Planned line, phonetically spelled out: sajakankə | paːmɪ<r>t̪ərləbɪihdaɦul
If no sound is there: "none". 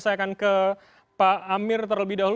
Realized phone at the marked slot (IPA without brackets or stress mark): r